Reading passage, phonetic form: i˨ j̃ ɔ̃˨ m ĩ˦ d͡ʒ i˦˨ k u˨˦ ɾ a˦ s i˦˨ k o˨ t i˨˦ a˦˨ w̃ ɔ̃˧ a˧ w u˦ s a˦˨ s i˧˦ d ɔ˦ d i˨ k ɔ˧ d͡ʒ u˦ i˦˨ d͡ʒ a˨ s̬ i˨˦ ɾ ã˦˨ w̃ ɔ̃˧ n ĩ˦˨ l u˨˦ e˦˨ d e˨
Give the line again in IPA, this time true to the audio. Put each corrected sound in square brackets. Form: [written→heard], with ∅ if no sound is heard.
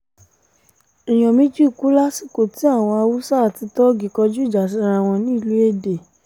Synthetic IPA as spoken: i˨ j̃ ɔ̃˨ m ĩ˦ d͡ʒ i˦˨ k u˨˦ [ɾ→l] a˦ s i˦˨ k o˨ t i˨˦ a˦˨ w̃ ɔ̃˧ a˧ w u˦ s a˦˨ [s→t] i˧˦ [d→t] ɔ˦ [d→ɡ] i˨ k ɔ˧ d͡ʒ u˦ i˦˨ d͡ʒ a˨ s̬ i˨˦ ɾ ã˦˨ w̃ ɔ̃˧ n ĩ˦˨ l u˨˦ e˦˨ d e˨